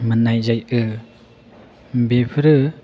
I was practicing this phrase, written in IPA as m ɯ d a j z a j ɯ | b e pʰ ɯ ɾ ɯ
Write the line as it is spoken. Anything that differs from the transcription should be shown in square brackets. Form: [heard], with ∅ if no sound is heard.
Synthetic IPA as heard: m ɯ [n] a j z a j ɯ | b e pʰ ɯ ɾ ɯ